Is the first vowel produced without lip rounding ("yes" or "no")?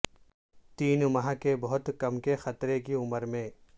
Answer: yes